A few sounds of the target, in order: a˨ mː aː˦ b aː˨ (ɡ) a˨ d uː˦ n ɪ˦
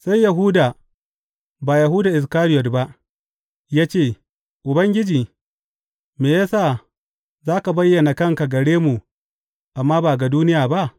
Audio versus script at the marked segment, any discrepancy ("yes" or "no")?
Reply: no